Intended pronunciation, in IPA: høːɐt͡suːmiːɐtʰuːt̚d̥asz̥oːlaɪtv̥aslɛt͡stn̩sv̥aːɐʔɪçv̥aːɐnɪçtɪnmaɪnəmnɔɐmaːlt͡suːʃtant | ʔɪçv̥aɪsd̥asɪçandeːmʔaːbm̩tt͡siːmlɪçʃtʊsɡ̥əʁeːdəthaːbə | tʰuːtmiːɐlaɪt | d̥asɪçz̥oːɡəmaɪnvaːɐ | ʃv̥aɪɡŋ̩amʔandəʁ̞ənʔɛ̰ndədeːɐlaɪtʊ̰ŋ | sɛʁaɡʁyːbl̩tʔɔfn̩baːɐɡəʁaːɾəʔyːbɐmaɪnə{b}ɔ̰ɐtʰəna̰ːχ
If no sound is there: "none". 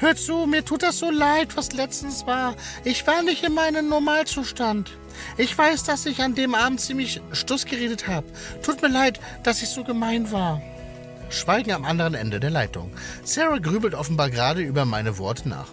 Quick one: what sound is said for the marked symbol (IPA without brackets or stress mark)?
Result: v